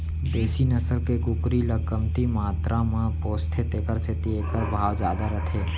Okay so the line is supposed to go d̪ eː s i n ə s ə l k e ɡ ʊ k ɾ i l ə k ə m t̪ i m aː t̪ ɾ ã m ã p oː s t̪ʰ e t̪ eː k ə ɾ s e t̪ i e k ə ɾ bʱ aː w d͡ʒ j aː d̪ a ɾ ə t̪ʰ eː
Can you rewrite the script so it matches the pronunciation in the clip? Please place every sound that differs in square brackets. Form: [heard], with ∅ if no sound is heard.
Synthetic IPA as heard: d̪ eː s i n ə s ə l k e ɡ ʊ k ɾ i l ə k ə m t̪ i m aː t̪ ɾ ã m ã p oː s t̪ʰ e t̪ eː k ə ɾ s e t̪ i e k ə ɾ bʱ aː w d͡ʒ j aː d̪ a ɾ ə t̪ʰ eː